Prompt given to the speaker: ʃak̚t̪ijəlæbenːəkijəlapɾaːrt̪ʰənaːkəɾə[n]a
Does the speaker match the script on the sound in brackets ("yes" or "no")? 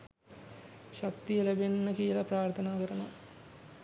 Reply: yes